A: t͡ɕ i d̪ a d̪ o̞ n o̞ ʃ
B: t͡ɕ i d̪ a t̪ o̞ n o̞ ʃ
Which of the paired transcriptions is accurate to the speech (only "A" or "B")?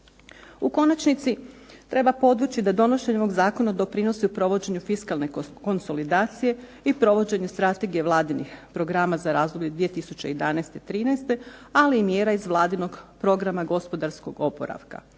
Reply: A